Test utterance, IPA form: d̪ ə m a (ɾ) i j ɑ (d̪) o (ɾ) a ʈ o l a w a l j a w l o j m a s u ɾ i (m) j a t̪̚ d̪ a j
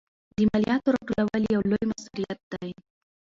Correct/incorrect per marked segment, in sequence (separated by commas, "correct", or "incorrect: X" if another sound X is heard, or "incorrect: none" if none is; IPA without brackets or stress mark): incorrect: l, incorrect: t̪, correct, incorrect: none